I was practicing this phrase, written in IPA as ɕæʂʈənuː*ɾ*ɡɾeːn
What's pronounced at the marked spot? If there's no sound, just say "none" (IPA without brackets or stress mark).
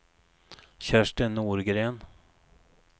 ɾ